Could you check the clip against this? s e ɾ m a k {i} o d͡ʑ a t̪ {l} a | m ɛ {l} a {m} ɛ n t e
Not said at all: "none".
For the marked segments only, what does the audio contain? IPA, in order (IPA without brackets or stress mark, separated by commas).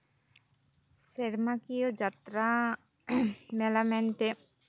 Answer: i, ɾ, l, m